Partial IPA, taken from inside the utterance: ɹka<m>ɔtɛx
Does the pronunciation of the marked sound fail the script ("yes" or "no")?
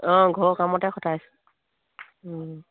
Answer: no